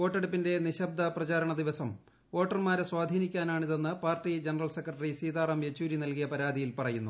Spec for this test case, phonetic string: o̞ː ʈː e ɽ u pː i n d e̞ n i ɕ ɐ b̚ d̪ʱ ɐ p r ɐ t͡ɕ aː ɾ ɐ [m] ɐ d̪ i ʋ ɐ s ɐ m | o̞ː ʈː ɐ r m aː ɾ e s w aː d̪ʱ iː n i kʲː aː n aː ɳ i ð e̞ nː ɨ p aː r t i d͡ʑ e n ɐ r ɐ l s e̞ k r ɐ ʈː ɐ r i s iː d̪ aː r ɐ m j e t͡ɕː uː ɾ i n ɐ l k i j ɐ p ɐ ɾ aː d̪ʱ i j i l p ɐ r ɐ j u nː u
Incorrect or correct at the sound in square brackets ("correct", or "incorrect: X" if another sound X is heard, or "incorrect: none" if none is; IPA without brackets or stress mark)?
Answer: incorrect: ɳ